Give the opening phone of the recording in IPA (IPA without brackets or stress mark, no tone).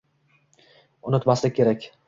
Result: ʊ